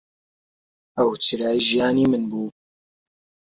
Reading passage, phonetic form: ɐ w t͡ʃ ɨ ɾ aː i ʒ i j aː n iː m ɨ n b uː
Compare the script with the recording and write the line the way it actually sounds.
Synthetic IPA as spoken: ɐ w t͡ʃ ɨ ɾ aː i ʒ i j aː n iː m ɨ n b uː

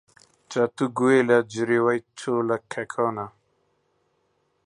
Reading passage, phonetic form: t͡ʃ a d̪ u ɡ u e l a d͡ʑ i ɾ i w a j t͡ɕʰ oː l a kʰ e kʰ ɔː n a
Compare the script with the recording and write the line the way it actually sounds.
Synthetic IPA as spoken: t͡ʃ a t̪ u ɡ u e l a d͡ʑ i ɾ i w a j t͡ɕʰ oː l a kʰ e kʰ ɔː n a

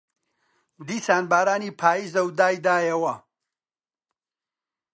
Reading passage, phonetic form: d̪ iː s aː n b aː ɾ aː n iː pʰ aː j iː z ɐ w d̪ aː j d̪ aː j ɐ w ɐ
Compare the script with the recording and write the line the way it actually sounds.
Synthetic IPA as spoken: d̪ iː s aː n b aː ɾ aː n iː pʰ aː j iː z ɐ w d̪ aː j d̪ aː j ɐ w ɐ

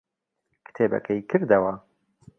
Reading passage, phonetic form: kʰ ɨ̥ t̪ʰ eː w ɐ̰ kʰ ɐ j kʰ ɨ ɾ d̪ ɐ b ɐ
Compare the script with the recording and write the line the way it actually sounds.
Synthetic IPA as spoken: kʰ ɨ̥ t̪ʰ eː b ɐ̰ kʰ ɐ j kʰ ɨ ɾ d̪ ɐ w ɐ

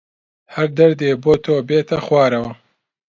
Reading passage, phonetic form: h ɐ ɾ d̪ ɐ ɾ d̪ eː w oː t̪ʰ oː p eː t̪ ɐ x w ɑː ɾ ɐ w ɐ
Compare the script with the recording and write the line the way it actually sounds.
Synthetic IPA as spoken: h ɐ ɾ d̪ ɐ ɾ d̪ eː b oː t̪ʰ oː b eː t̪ ɐ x w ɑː ɾ ɐ w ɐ

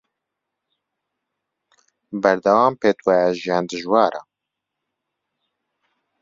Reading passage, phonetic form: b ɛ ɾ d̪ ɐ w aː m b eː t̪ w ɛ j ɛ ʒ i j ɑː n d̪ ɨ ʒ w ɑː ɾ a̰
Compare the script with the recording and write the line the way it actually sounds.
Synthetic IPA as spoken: b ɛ ɾ d̪ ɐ w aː m p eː t̪ w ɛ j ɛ ʒ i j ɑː n d̪ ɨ ʒ w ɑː ɾ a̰

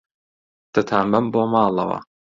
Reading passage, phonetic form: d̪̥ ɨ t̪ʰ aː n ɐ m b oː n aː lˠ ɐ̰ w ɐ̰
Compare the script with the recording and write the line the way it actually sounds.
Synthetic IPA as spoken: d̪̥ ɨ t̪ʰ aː m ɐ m b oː m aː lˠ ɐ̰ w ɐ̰

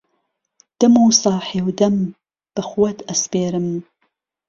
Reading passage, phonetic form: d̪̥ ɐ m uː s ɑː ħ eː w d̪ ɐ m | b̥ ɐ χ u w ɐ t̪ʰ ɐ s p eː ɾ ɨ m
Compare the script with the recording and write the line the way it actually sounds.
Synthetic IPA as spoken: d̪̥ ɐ m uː s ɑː ħ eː w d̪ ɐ m | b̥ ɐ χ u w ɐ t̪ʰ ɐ s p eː ɾ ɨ m

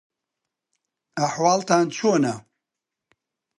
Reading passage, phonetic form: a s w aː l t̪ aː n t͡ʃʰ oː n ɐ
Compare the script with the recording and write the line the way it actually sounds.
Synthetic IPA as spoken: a ħ w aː l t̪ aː n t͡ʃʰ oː n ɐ

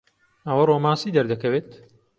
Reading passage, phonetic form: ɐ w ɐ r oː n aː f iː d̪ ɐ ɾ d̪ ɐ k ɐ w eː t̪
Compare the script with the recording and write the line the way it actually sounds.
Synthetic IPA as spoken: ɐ w ɐ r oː m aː s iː d̪ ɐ ɾ d̪ ɐ k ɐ w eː t̪

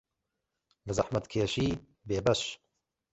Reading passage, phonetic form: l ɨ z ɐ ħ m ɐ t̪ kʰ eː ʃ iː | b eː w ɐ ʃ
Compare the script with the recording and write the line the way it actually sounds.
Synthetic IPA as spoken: l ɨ z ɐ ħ m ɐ t̪ kʰ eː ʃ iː | b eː b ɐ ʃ

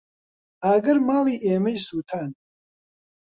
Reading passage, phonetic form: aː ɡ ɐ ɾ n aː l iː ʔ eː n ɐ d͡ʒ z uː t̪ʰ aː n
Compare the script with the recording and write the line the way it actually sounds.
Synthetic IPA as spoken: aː ɡ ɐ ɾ m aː l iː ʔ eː m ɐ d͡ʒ s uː t̪ʰ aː n

